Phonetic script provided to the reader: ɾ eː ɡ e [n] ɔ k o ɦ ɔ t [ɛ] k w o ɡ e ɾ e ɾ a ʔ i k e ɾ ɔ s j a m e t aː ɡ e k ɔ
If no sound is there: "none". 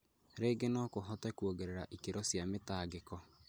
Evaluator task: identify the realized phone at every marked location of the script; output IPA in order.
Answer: n, ɛ

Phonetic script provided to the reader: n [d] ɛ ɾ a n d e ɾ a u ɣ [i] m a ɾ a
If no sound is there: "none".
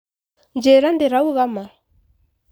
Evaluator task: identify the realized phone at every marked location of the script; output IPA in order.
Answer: d͡ʒ, a

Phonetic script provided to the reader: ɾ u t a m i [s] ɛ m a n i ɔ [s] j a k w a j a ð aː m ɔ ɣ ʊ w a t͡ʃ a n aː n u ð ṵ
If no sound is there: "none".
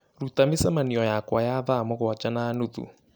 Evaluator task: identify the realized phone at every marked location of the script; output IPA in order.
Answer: s, none

